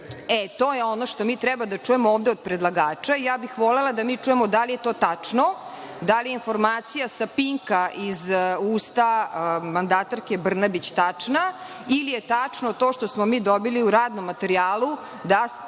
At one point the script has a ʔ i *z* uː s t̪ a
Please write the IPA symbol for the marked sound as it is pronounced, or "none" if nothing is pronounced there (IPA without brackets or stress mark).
z